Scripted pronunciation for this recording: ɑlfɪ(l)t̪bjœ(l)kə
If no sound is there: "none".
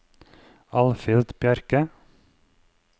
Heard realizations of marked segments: l, ɾ

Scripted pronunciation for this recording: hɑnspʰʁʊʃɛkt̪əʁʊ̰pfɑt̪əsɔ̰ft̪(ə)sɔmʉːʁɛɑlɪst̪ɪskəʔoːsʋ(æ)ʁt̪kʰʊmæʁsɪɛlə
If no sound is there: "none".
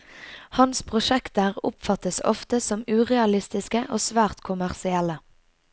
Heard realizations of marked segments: ə, æː

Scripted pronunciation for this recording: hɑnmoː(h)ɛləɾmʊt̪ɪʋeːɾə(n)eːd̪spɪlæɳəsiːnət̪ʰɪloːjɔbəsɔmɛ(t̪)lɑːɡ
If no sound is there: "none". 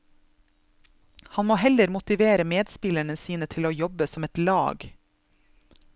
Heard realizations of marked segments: h, m, t̪

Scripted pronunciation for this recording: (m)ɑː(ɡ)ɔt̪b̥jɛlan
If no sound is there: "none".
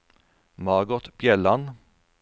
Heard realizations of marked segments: m, ɡ

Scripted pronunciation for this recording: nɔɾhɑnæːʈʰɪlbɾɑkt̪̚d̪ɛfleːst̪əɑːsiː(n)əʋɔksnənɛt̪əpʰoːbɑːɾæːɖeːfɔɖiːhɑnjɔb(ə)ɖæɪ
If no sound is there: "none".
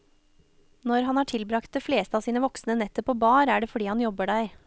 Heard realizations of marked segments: n, ə

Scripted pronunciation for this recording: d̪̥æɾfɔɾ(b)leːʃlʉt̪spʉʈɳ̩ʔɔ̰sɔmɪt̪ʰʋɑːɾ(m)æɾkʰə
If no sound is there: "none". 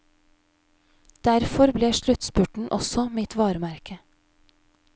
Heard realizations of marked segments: b, m

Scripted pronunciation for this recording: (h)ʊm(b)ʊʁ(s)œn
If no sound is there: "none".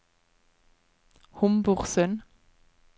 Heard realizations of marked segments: h, b, s

